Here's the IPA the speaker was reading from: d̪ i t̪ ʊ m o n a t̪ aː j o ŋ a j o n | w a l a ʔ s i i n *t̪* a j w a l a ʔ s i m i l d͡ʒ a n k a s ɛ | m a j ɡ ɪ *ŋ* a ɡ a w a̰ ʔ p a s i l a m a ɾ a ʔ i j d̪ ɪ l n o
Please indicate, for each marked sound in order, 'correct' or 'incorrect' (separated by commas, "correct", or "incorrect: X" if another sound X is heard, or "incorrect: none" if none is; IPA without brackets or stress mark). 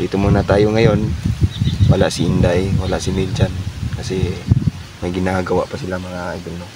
incorrect: d̪, incorrect: n